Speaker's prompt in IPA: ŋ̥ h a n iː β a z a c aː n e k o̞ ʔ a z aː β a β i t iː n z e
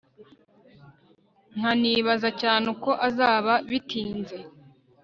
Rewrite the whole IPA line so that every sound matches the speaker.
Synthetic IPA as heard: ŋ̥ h a n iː β a z a c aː n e k o̞ ʔ a z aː β a β i t iː n z e